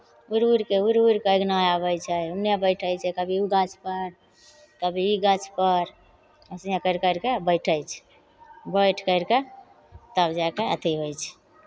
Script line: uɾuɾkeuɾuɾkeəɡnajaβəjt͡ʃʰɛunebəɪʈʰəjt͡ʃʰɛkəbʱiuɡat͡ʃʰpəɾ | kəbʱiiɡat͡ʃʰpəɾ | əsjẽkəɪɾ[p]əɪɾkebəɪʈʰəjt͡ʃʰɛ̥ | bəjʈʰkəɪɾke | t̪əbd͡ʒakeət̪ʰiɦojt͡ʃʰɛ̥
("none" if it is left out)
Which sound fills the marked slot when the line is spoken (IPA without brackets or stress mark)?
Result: k